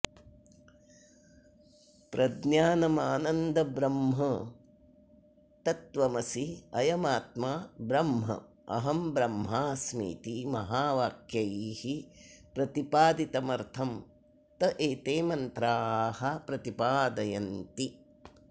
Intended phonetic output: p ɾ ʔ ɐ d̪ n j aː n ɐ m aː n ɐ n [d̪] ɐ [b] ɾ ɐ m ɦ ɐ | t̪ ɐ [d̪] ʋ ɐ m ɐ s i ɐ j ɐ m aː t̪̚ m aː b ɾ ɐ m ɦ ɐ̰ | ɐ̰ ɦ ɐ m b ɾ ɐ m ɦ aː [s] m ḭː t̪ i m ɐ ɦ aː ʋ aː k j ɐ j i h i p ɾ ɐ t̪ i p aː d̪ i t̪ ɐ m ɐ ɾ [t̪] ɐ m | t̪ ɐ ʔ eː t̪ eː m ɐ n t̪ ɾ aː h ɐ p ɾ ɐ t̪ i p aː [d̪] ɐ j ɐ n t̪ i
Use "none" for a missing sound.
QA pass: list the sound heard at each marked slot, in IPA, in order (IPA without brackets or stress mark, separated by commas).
d̪, b, t̪, s, t̪ʰ, d̪